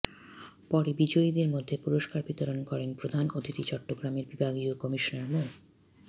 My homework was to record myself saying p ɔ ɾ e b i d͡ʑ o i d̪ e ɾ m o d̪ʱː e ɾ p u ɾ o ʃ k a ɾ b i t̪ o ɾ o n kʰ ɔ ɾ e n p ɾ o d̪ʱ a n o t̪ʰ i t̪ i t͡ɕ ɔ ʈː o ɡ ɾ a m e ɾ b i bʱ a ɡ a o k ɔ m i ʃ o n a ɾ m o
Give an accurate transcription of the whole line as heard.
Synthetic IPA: p ɔ ɾ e b i d͡ʑ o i d̪ e ɾ m o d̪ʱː e p u ɾ o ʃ k a ɾ b i t̪ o ɾ o n k ɔ ɾ e n p ɾ o d̪ʱ a n o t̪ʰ i t̪ i t͡ɕ ɔ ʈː o ɡ ɾ a m e ɾ b i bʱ a ɡ i o k ɔ m i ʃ o n a ɾ m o